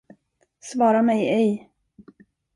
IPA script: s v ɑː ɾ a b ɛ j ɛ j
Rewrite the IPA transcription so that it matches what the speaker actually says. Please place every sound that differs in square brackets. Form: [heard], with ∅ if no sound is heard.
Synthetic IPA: s v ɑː ɾ a [m] ɛ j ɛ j